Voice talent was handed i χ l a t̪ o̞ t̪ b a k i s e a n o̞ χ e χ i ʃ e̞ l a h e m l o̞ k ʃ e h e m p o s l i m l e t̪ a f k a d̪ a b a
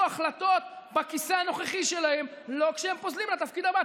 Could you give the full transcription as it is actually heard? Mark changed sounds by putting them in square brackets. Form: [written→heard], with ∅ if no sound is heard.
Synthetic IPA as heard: [i→a] χ l a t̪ o̞ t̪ b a k i s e a n o̞ χ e χ i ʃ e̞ l a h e m l o̞ k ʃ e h e m p o [s→z] l i m l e t̪ a f k [a→i] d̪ a b a